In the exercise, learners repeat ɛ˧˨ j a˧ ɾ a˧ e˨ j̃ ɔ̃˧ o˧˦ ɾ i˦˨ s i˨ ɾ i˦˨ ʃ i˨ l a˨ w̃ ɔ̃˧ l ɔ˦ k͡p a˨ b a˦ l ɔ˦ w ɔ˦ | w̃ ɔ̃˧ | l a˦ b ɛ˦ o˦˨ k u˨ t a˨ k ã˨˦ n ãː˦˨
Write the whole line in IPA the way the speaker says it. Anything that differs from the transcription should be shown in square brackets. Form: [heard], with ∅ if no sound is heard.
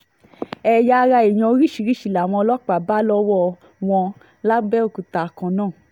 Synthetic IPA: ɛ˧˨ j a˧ ɾ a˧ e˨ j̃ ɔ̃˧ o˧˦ ɾ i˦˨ [ʃ] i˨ ɾ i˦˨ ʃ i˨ l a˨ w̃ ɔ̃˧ l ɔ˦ k͡p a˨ b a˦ l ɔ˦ w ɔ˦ | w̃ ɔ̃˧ | l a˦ b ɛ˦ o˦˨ k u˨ t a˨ k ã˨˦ n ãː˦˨